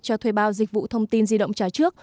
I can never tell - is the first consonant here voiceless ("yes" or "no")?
yes